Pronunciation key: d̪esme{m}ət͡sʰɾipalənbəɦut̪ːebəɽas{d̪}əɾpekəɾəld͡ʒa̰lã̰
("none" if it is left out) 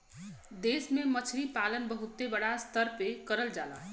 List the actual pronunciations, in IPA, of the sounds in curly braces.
m, t̪

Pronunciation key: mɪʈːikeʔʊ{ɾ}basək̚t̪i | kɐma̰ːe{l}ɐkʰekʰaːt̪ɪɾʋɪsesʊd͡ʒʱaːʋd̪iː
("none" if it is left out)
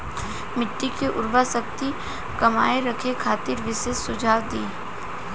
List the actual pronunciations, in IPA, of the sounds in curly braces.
ɾ, ɾ

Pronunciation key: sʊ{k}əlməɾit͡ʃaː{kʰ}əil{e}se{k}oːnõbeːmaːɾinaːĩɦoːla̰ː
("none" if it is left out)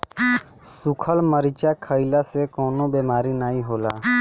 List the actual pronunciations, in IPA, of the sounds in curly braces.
kʰ, kʰ, a, k

